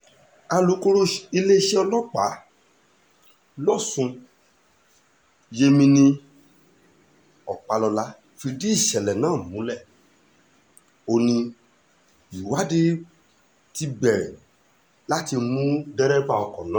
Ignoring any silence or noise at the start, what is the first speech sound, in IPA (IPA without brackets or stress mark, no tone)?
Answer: a